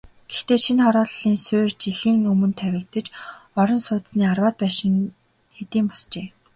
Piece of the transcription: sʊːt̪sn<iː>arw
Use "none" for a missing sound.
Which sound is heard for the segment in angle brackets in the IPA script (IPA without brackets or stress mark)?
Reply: iː